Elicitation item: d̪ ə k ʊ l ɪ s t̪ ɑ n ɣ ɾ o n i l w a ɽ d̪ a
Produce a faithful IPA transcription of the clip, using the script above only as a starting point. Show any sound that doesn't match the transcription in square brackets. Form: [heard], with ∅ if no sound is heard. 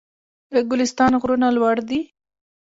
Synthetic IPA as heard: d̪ ə [ɡ] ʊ l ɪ s t̪ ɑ n ɣ ɾ [u] n [a] l w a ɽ d̪ [i]